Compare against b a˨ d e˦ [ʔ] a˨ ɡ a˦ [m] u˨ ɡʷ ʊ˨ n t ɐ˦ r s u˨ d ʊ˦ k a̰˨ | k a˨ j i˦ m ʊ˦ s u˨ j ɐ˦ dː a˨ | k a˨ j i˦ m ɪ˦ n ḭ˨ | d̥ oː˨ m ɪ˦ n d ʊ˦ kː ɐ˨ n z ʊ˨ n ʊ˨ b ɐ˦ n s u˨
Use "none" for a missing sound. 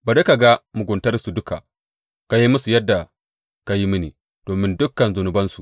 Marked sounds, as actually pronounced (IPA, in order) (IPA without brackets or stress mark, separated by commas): k, m